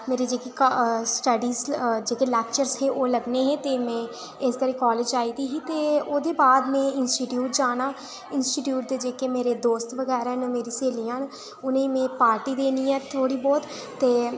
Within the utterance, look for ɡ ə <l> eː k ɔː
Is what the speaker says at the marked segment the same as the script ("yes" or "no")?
no